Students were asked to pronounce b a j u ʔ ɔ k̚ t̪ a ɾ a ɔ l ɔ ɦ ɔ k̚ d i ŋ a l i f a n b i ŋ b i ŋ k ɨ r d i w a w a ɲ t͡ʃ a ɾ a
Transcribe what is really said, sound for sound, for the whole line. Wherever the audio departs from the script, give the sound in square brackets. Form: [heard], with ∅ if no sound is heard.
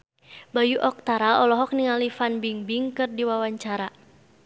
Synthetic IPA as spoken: b a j u ʔ ɔ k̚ t̪ a ɾ a ɔ l ɔ ɦ ɔ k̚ [n] i ŋ a l i f a n b i ŋ b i ŋ k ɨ r d i w a w a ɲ t͡ʃ a ɾ a